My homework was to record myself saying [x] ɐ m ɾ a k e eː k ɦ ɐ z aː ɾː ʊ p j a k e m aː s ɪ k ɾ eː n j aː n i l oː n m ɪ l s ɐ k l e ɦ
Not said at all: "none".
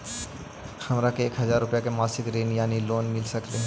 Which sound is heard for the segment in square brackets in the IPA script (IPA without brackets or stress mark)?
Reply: x